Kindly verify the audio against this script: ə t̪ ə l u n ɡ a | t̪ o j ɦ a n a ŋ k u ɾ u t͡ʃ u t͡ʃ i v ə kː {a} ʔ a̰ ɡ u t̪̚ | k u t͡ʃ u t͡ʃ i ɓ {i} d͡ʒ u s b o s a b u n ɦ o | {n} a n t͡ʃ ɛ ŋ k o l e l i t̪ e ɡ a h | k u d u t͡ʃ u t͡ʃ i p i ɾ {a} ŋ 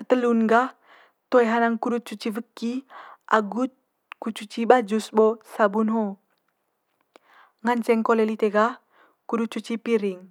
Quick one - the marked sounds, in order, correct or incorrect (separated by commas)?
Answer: incorrect, incorrect, incorrect, incorrect